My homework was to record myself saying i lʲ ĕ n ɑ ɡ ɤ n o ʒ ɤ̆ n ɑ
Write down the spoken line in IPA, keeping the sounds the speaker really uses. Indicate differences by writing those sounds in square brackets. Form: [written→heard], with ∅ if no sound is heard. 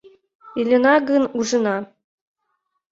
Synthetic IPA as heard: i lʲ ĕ n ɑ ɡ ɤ n [o→u] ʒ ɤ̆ n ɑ